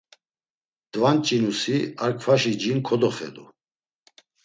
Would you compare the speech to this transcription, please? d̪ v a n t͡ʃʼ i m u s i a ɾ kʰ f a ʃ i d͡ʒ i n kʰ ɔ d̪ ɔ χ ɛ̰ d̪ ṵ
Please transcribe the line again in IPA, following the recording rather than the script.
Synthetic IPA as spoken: d̪ v a n t͡ʃʼ i n u s i a ɾ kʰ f a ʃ i d͡ʒ i n kʰ ɔ d̪ ɔ χ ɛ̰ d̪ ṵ